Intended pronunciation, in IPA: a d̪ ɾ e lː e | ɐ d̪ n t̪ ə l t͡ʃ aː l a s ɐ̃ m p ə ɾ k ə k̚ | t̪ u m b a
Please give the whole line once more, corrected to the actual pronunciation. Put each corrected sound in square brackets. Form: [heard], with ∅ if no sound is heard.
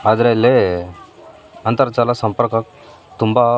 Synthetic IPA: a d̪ ɾ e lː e | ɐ [∅] n t̪ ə [ɾ] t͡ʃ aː l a s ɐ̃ m p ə ɾ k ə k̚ | t̪ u m b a

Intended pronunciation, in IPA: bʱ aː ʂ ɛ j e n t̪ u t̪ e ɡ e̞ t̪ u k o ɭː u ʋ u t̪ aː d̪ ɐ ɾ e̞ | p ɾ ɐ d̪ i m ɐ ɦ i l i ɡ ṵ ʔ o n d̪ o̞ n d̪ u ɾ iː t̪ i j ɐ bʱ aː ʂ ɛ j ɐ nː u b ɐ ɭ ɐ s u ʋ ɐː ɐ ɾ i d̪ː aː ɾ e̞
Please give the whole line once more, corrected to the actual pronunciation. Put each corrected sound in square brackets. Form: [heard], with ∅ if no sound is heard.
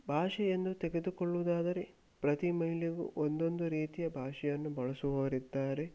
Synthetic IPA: bʱ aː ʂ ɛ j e n [d̪] u t̪ e ɡ e̞ [d̪] u k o ɭː u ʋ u [d̪] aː d̪ ɐ ɾ e̞ | p ɾ ɐ [t̪] i m ɐ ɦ i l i ɡ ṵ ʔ o n d̪ o̞ n d̪ u ɾ iː t̪ i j ɐ bʱ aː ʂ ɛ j ɐ nː u b ɐ ɭ ɐ s u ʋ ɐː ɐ ɾ i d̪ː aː ɾ e̞

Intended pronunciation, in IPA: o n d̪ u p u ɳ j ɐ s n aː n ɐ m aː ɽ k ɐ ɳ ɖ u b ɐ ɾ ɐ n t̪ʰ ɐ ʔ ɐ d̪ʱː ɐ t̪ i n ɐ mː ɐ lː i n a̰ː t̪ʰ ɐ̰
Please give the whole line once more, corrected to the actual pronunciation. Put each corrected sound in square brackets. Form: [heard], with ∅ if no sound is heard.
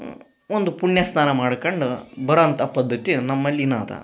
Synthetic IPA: o n d̪ u p u ɳ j ɐ s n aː n ɐ m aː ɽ k ɐ ɳ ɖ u b ɐ ɾ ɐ n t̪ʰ ɐ [p] ɐ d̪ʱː ɐ t̪ i n ɐ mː ɐ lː i n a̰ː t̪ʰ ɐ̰

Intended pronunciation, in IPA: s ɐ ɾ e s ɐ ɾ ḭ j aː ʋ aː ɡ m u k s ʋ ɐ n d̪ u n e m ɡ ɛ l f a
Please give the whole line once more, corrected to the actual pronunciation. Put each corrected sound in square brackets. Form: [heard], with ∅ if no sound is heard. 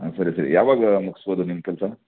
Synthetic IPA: s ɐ ɾ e s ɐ ɾ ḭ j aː ʋ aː ɡ m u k s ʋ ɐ [∅] d̪ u n [i] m [k] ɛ l [s] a

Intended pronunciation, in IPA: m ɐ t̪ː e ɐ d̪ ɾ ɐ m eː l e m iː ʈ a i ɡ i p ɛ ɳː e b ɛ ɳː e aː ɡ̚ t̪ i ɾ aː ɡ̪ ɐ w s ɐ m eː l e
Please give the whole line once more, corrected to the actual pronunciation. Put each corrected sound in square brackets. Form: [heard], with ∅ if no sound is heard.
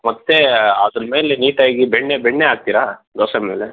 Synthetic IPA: m ɐ t̪ː e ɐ d̪ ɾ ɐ m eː l e [n] iː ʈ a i ɡ i [b] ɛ ɳː e b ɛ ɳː e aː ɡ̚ t̪ i ɾ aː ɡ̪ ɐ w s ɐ m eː l e

